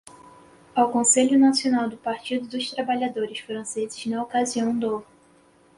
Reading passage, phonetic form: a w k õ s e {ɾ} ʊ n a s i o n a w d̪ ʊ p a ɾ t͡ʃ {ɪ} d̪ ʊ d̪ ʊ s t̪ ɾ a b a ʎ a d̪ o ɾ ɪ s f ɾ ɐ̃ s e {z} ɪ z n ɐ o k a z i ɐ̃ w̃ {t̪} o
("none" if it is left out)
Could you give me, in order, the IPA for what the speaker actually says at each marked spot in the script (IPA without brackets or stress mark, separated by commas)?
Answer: ʎ, i, z, d̪